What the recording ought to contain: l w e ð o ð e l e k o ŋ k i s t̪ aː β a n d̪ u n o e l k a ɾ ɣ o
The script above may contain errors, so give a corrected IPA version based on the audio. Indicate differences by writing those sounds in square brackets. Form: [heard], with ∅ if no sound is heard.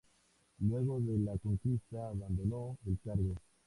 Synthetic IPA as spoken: l w e [ɣ] o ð e l [a] k o ŋ k i s t̪ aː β a n d̪ [o] n o e l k a ɾ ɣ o